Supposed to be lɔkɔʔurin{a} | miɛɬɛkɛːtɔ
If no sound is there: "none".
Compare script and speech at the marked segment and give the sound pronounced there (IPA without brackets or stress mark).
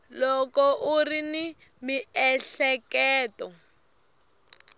i